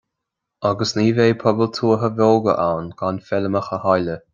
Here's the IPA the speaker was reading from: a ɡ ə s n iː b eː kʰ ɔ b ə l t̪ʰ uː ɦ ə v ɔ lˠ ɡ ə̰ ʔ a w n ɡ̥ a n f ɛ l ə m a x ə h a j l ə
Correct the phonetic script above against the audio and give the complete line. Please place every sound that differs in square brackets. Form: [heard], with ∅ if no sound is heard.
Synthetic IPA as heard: a ɡ ə s n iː [v] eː [pʰ] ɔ b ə l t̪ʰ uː ɦ ə v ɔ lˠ ɡ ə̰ ʔ a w n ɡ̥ a n f ɛ l ə m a x ə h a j l ə